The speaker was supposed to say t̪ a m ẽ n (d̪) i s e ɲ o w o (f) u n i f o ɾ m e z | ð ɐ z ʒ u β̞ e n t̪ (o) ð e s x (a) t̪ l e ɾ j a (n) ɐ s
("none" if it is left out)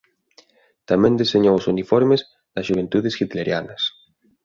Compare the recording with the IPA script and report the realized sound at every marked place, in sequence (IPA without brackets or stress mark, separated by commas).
d̪, s, u, i, n